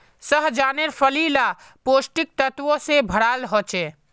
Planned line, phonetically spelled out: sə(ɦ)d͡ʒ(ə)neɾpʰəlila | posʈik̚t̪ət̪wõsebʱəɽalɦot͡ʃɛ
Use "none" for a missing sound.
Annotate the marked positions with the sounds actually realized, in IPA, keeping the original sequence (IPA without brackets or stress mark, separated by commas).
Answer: ɦ, a